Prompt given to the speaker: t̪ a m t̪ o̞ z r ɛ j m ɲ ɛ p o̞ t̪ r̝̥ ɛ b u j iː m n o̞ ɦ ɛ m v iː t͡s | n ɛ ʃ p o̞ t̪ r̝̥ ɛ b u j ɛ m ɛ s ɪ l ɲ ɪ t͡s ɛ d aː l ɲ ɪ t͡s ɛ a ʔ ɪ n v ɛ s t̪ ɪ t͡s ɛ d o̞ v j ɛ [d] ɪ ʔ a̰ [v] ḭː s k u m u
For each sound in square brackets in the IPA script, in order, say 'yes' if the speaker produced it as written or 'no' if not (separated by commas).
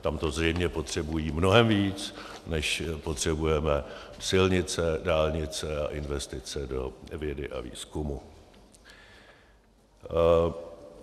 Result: yes, yes